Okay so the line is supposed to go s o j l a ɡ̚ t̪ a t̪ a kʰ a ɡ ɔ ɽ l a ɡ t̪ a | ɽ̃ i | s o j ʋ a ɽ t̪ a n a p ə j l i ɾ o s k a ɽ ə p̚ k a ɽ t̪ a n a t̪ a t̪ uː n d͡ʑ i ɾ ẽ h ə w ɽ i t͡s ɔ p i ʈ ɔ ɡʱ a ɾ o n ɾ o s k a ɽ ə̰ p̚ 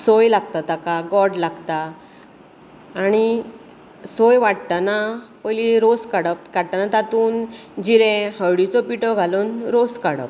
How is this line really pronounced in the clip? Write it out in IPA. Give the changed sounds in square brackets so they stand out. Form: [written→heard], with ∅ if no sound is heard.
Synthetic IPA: s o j l a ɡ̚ t̪ a t̪ a [kʰ→k] a ɡ ɔ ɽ l a ɡ t̪ a | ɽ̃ i | s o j ʋ a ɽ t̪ a n a p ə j l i ɾ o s k a ɽ ə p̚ k a ɽ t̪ a n a t̪ a t̪ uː n d͡ʑ i ɾ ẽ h ə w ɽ i t͡s ɔ p i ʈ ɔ ɡʱ a [ɾ→l] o n ɾ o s k a ɽ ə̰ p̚